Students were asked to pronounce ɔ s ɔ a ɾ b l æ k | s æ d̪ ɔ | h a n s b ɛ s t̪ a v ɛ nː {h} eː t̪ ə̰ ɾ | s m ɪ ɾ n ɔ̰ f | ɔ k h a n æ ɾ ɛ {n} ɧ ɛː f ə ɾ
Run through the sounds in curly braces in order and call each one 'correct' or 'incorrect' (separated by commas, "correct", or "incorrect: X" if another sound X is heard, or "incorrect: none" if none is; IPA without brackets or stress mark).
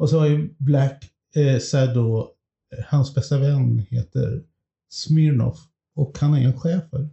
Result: correct, correct